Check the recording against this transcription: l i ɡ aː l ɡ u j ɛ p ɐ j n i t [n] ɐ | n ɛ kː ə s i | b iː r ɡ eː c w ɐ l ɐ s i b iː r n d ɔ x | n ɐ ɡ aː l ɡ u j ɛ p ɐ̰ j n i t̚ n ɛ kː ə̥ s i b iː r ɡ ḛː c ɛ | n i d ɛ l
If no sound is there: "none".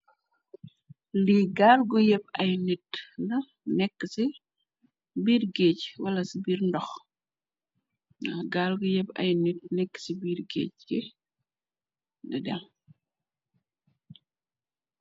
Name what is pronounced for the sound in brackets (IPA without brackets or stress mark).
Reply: n